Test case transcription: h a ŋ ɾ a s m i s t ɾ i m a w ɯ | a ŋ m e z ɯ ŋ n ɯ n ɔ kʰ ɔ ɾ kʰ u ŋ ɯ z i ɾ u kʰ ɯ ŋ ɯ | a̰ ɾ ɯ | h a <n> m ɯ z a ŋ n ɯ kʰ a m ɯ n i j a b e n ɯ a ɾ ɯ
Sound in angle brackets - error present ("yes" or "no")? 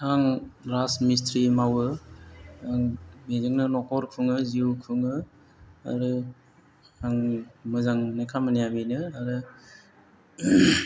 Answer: yes